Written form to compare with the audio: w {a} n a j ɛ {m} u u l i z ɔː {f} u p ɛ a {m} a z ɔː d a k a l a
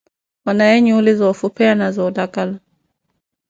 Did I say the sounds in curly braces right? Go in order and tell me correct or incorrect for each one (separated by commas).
correct, incorrect, correct, incorrect